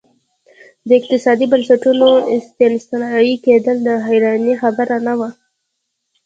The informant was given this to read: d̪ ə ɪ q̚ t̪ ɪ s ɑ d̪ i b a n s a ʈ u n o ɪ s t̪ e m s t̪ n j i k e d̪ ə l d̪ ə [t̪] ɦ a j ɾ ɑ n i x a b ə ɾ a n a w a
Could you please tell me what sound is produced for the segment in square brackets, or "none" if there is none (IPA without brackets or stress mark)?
none